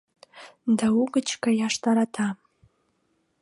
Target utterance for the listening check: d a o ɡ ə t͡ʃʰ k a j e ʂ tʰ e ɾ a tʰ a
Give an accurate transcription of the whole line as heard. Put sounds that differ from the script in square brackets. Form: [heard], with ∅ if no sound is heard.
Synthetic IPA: d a [u] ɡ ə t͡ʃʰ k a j [a] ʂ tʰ [a] ɾ a tʰ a